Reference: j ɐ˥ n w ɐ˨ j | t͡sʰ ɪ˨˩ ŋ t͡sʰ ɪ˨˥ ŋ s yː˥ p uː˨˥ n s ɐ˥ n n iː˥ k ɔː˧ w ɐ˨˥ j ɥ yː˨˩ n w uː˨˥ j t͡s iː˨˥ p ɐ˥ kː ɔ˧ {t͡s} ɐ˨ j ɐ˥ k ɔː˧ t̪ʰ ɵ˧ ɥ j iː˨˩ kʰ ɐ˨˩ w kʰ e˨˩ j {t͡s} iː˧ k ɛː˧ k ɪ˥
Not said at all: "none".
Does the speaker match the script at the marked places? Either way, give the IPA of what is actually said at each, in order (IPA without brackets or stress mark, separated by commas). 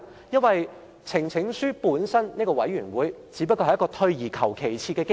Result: none, t͡sʰ